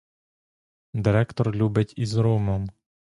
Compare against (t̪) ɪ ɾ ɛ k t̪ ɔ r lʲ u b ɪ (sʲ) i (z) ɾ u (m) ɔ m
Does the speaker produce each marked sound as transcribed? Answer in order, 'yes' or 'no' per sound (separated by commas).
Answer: no, no, yes, yes